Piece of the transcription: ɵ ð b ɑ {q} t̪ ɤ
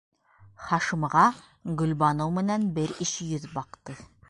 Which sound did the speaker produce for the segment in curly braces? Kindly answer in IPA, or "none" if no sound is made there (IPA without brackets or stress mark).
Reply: q